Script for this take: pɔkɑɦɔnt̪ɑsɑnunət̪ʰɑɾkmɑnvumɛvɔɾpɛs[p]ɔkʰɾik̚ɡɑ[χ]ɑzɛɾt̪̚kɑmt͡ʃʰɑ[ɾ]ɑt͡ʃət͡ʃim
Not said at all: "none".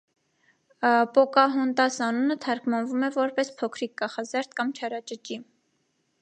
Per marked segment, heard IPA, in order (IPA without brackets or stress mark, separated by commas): pʰ, χ, ɾ